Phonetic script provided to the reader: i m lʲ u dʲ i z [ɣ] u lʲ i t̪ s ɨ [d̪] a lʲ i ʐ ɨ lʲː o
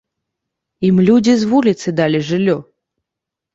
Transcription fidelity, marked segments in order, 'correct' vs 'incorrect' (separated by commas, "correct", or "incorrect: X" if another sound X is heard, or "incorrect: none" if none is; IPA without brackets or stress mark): incorrect: v, correct